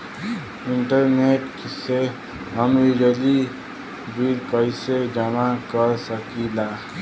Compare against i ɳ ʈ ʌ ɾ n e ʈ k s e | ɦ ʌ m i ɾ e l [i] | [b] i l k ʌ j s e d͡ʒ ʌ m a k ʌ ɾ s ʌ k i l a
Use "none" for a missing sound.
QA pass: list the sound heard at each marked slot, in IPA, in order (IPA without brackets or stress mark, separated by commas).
i, b